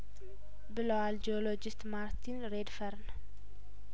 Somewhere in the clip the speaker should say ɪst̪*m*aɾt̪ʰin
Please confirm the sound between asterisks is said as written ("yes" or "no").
yes